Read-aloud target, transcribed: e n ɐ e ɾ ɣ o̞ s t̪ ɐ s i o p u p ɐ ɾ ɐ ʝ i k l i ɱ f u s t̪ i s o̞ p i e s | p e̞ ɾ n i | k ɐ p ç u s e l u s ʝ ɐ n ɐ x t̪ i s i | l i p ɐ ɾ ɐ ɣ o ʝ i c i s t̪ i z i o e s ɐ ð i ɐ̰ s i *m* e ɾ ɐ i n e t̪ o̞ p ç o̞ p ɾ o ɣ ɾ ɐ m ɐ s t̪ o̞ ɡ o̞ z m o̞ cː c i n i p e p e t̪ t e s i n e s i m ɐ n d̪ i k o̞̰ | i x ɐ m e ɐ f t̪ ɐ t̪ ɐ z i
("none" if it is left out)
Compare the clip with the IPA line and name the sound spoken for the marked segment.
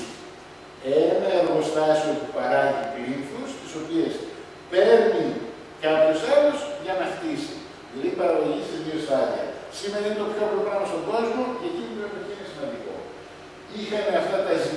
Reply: m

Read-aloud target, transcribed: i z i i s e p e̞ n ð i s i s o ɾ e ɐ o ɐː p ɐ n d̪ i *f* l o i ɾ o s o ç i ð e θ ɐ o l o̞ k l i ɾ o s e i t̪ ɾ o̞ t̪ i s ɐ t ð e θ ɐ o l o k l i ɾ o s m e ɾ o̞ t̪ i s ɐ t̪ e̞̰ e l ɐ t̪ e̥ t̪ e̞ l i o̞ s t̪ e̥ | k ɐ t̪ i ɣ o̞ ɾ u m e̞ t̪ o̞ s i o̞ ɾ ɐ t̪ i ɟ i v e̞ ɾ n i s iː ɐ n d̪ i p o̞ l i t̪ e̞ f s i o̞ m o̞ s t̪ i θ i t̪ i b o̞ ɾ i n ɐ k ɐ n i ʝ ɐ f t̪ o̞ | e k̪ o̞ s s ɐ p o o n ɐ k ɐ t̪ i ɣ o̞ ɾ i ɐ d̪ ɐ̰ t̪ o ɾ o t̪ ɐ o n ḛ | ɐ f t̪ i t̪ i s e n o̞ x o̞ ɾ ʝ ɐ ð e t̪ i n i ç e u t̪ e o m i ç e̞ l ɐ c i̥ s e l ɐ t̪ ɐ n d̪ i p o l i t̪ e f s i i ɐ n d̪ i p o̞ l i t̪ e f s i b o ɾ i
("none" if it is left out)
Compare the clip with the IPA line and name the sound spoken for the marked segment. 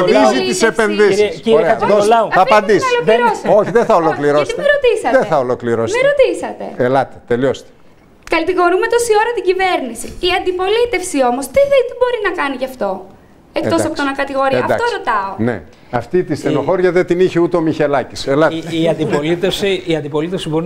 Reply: s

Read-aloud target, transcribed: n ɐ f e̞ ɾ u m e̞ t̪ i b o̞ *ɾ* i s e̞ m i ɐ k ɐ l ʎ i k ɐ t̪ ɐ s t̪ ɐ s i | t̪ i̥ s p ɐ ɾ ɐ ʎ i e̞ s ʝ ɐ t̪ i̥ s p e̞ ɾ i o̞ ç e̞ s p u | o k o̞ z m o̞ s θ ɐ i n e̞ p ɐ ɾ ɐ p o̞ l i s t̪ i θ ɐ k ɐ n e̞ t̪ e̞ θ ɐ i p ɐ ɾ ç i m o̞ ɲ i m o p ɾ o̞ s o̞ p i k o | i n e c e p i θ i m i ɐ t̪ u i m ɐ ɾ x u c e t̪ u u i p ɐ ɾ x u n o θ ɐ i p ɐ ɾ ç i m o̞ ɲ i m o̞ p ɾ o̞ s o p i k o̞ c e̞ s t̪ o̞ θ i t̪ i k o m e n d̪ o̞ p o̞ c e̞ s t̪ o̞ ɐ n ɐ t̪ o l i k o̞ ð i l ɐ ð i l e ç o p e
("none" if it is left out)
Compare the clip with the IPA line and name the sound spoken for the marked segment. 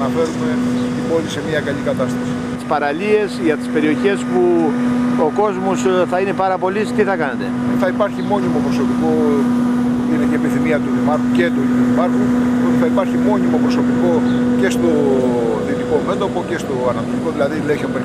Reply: l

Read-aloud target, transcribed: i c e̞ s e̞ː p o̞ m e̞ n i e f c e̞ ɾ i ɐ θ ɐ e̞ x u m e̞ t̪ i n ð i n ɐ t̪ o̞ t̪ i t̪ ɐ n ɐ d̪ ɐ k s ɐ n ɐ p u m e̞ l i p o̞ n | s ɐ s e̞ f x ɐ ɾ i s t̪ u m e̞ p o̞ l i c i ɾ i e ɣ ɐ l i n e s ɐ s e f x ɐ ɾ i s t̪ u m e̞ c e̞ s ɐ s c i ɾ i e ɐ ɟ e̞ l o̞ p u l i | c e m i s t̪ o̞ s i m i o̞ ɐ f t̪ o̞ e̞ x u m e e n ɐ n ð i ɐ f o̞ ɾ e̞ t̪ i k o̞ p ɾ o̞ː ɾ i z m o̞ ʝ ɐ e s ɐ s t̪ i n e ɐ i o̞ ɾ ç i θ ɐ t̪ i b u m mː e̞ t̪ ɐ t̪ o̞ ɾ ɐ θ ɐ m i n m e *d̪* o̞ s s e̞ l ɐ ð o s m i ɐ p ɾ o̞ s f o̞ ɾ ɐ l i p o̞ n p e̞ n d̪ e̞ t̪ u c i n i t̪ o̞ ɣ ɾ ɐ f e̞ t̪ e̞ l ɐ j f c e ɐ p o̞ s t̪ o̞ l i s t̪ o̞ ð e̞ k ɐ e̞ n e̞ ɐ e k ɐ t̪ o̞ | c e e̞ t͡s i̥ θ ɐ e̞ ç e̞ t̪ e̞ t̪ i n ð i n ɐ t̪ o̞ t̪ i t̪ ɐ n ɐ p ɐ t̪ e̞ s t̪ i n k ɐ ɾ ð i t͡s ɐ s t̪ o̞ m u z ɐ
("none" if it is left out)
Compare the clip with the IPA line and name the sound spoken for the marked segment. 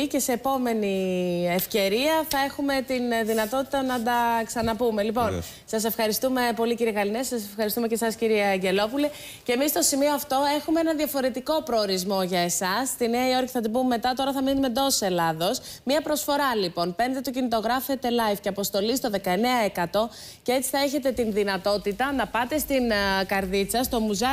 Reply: d̪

